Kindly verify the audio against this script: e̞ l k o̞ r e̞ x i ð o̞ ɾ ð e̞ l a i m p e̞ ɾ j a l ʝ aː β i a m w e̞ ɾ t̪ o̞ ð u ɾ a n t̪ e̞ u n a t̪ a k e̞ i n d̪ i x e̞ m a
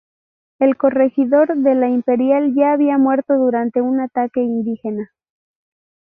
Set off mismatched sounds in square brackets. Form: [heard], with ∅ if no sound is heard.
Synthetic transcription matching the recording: e̞ l k o̞ r e̞ x i ð o̞ ɾ ð e̞ l a i m p e̞ ɾ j a l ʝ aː β i a m w e̞ ɾ t̪ o̞ ð u ɾ a n t̪ e̞ u n a t̪ a k e̞ i n d̪ i x e̞ [n] a